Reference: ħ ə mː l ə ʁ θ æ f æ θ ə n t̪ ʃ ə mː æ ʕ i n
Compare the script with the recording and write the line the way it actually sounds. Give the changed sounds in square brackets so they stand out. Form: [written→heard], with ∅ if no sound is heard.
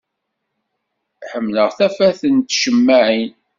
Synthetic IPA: ħ ə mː l ə ʁ θ æ f æ θ ə n t̪ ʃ ə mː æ ʕ i n